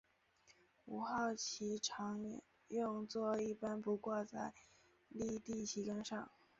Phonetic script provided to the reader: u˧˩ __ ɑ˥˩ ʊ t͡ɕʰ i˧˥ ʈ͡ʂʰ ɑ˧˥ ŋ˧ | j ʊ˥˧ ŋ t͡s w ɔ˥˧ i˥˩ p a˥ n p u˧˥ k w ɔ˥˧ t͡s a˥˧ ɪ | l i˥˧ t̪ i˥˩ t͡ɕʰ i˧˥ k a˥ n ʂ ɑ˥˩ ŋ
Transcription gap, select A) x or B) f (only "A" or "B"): A